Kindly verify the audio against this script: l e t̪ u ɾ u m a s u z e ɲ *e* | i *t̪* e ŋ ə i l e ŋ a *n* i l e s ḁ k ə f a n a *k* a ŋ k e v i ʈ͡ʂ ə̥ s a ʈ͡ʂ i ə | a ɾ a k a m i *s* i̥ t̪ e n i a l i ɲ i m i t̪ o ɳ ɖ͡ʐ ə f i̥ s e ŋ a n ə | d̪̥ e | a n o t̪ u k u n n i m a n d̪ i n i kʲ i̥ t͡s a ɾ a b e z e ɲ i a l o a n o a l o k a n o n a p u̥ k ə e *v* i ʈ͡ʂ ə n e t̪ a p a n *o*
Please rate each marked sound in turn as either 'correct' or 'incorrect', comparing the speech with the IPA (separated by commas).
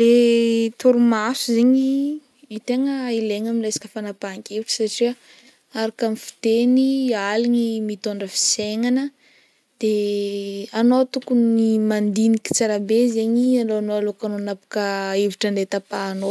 incorrect, correct, incorrect, incorrect, incorrect, correct, correct